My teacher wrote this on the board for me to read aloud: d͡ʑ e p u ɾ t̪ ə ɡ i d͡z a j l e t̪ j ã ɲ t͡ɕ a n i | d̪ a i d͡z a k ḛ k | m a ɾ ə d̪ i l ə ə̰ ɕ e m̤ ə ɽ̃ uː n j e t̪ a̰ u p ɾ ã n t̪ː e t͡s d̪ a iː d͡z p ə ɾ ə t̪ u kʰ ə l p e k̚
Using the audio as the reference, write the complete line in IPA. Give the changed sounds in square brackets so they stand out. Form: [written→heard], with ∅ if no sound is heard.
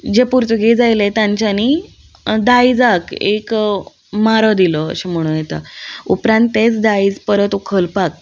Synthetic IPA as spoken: d͡ʑ e p u ɾ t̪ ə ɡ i d͡z a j l e t̪ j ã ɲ t͡ɕ a n i | d̪ a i d͡z a k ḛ k | m a ɾ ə d̪ i l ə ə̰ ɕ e m̤ ə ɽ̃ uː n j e t̪ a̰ u p ɾ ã n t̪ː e t͡s d̪ a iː d͡z p ə ɾ ə t̪ u kʰ ə l p [e→a] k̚